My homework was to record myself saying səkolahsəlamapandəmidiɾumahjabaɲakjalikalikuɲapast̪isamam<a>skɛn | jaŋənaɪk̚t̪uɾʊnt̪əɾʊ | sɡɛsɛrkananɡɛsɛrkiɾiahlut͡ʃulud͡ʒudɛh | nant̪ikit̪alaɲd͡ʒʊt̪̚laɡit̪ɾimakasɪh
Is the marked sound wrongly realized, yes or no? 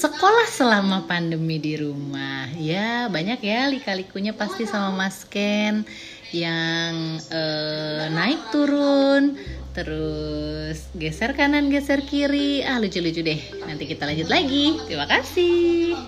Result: no